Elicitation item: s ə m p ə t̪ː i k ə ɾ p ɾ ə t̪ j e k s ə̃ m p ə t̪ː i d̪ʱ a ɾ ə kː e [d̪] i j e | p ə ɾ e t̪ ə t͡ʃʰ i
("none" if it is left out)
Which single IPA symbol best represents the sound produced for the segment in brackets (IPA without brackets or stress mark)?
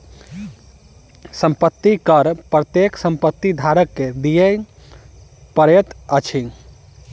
d̪